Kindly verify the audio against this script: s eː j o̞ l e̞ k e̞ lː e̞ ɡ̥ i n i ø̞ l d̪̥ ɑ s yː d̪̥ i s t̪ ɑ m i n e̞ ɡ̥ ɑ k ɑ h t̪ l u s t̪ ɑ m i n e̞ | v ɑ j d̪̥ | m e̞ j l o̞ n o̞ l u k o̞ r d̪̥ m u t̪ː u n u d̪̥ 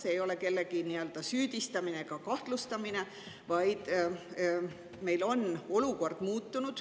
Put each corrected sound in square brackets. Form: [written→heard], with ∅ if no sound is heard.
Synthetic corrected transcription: s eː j o̞ l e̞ k e̞ lː e̞ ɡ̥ i n i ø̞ l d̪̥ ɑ s yː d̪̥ i s t̪ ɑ m i n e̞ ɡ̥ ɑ k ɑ h t̪ l u s t̪ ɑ m i n e̞ | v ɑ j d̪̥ | m e̞ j l o̞ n o̞ l u k o̞ r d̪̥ m [u→uː] t̪ː u n u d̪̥